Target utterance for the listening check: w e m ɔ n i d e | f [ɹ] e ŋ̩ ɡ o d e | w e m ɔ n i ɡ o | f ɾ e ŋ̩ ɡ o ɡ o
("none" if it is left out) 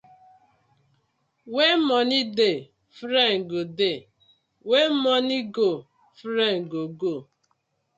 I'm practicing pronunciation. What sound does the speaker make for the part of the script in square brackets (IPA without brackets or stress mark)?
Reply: ɾ